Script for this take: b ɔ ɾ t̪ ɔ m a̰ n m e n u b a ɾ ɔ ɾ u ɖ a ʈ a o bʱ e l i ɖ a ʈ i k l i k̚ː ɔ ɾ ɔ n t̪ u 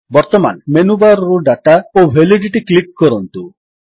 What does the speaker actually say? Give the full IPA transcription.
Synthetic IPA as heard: b ɔ ɾ t̪ ɔ m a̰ n m e n u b a ɾ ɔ ɾ u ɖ a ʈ a o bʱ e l i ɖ i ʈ i k l i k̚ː ɔ ɾ ɔ n t̪ u